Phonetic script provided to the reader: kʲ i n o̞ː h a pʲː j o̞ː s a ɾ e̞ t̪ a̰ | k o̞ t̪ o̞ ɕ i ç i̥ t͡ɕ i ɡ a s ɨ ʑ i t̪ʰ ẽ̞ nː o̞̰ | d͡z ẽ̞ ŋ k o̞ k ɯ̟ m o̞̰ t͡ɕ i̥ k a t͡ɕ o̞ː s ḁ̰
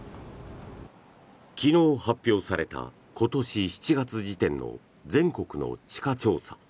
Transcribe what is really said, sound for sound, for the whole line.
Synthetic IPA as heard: kʲ i n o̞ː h a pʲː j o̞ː s a ɾ e̞ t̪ a̰ | k o̞ t̪ o̞ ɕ i ç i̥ t͡ɕ i ɡ a t͡s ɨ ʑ i t̪ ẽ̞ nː o̞̰ | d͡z ẽ̞ ŋ k o̞ k ɯ̟ n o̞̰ t͡ɕ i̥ k a t͡ɕ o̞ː s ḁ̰